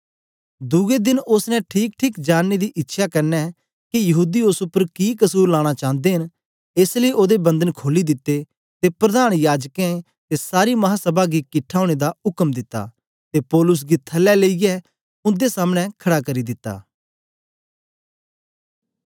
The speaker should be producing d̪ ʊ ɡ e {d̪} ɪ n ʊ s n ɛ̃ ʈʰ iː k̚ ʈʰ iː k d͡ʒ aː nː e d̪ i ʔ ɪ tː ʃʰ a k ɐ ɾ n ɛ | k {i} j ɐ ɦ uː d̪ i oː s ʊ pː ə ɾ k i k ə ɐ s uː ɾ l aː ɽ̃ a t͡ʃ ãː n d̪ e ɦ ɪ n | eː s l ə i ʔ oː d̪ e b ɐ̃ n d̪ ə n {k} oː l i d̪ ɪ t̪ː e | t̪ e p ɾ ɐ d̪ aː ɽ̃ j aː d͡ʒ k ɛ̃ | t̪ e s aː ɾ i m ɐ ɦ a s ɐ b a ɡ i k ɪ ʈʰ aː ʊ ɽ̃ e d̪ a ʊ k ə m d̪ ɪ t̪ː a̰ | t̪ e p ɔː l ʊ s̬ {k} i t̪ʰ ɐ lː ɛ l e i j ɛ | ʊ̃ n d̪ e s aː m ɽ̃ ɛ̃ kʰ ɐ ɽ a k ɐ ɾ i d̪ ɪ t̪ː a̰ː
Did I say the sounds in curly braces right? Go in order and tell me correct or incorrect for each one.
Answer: correct, correct, incorrect: kʰ, incorrect: ɡ

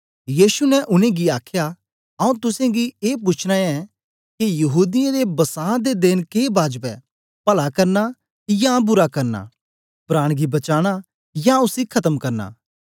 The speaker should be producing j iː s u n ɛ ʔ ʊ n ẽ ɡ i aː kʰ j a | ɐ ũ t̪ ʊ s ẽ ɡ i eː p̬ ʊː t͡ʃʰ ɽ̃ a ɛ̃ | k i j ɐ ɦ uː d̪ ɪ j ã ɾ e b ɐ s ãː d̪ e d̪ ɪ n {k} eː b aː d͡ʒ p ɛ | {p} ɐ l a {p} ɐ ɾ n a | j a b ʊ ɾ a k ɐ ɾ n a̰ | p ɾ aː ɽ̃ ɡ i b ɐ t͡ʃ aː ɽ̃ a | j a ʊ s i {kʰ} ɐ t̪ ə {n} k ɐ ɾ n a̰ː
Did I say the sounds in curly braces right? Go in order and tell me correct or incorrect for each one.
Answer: correct, correct, incorrect: k, correct, incorrect: m

